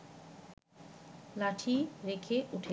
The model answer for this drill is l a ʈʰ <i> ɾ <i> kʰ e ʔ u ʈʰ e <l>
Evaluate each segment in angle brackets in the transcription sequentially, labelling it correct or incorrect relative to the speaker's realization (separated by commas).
correct, incorrect, incorrect